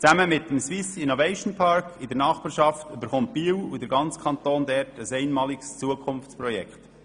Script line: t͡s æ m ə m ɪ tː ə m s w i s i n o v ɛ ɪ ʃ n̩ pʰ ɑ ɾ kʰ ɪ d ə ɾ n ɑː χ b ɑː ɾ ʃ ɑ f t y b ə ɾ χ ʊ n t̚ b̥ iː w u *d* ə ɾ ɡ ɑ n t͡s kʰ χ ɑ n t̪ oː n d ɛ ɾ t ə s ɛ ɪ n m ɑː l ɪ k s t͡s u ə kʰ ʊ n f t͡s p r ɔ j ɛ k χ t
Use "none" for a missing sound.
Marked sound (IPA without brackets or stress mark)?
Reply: d